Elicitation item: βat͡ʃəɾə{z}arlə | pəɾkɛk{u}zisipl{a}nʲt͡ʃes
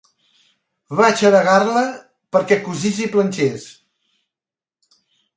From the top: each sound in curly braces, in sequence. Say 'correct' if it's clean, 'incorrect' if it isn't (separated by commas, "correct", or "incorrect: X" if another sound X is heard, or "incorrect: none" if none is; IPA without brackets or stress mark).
incorrect: ɣ, correct, incorrect: ə